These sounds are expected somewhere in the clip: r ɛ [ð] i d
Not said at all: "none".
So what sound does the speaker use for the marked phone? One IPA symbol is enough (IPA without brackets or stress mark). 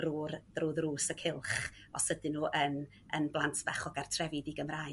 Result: v